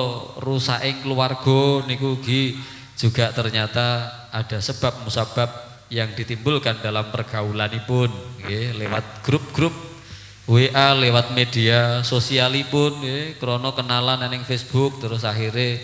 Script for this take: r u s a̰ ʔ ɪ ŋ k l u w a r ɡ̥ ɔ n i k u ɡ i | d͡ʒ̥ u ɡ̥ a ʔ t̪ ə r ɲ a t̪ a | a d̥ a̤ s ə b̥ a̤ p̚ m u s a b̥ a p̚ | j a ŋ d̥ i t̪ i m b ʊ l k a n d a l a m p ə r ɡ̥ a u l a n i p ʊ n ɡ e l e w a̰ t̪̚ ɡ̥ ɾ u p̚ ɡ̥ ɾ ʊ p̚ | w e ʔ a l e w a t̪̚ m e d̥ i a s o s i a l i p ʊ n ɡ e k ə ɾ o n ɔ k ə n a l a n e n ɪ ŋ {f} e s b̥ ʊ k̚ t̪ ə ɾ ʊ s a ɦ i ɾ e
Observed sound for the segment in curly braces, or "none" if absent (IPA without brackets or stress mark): f